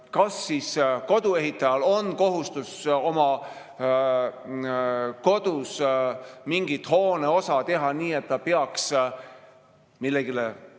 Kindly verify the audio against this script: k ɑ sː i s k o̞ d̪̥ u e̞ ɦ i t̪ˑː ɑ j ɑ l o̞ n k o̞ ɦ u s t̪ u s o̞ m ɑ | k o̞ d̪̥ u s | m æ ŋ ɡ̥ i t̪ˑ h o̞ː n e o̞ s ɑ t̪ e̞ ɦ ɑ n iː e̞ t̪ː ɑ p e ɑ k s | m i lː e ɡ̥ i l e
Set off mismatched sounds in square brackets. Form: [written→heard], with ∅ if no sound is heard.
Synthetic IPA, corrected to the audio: k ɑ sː i s k o̞ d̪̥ u e̞ ɦ i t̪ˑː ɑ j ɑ l o̞ n k o̞ ɦ u s t̪ u s o̞ m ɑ | k o̞ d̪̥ u s | m [æ→i] ŋ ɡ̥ i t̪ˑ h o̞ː n e o̞ s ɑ t̪ e̞ ɦ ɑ n iː e̞ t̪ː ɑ p e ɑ k s | m i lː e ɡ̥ i l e